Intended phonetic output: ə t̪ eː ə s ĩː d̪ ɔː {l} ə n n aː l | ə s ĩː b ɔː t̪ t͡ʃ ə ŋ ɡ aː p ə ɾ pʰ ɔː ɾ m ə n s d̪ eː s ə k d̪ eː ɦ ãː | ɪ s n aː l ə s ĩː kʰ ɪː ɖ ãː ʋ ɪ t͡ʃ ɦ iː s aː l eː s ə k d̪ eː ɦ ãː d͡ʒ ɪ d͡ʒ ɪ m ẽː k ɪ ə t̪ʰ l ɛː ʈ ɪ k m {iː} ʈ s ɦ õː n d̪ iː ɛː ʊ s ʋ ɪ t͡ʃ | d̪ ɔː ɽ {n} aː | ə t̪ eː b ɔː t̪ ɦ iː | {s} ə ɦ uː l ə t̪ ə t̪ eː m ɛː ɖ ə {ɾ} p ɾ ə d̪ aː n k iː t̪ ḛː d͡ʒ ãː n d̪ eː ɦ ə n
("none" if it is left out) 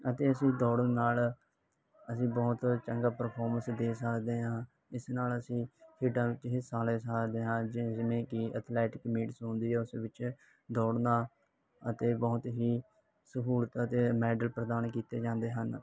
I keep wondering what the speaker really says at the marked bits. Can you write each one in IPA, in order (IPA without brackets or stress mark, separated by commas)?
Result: ɽ, iː, n, s, l